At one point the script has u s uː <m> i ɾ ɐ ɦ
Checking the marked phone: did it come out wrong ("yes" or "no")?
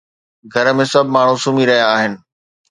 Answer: no